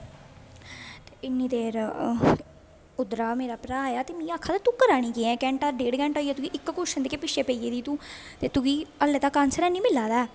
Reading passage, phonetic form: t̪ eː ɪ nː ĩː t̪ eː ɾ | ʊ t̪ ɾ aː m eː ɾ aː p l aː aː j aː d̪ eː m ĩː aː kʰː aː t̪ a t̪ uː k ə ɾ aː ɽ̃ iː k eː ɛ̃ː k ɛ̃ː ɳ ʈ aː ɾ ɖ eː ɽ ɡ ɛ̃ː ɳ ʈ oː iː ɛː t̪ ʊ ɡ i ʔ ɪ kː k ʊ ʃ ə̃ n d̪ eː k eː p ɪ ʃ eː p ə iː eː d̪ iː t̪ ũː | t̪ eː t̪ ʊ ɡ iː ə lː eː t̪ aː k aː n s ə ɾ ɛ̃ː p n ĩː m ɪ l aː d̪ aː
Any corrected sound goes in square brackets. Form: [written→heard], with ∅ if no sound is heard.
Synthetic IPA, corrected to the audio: t̪ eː ɪ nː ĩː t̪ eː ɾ | ʊ [t̪→d̪] ɾ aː m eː ɾ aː p [l→ɾ] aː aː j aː [d̪→t̪] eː m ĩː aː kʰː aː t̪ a t̪ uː k ə ɾ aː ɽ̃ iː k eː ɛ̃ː k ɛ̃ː ɳ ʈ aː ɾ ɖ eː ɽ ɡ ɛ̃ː ɳ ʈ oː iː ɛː t̪ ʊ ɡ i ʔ ɪ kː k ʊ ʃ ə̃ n d̪ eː k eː p ɪ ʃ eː p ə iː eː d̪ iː t̪ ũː | t̪ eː t̪ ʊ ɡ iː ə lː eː t̪ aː k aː n s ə ɾ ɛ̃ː [p→∅] n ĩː m ɪ l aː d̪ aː